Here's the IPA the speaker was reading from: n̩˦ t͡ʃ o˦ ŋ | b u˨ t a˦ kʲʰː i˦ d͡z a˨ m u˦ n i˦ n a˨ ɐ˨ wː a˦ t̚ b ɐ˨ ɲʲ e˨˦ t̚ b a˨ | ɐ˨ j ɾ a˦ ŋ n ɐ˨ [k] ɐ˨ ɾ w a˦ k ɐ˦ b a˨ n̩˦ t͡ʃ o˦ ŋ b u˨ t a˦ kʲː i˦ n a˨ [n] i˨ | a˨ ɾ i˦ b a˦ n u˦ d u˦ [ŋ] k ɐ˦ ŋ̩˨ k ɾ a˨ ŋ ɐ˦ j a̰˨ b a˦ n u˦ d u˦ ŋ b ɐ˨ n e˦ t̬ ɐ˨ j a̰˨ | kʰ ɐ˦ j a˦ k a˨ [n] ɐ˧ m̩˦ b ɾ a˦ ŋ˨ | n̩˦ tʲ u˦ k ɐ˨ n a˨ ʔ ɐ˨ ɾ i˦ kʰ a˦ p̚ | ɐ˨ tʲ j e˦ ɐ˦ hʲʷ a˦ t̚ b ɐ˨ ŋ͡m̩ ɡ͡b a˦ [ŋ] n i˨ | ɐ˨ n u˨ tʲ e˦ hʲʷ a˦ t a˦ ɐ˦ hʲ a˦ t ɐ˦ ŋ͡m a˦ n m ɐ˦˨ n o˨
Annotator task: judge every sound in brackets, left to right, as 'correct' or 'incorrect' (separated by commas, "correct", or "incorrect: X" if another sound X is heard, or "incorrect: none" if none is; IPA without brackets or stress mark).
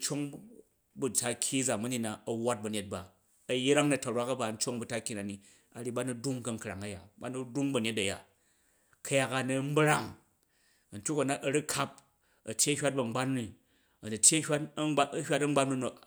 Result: incorrect: t, correct, correct, correct, incorrect: n